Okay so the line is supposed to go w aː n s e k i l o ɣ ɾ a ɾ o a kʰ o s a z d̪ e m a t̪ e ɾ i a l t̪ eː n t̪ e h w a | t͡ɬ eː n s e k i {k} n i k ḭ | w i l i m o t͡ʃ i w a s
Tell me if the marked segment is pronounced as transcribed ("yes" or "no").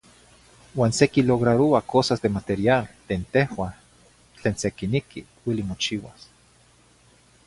no